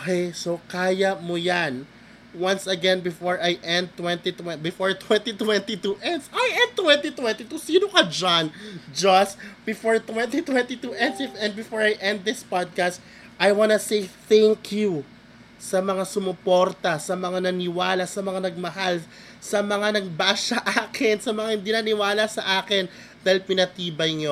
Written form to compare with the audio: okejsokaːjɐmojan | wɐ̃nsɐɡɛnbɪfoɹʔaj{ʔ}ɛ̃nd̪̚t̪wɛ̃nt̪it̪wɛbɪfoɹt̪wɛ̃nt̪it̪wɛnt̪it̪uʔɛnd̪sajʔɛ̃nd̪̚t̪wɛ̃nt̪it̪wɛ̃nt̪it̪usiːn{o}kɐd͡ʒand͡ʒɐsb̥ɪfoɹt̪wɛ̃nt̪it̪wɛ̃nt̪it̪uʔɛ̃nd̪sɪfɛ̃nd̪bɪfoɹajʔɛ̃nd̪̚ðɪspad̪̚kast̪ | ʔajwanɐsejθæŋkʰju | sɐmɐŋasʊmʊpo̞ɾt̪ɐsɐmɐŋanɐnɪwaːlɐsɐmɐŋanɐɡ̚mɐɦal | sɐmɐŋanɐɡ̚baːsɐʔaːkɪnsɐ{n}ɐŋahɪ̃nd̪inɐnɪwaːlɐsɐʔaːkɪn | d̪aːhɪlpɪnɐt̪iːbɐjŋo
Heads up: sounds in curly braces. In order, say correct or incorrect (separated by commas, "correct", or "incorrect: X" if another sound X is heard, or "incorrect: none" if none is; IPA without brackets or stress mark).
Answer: correct, correct, incorrect: m